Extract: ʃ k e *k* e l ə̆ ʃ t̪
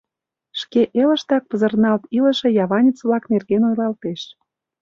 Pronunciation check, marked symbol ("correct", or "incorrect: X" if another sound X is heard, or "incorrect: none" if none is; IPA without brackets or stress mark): incorrect: ʔ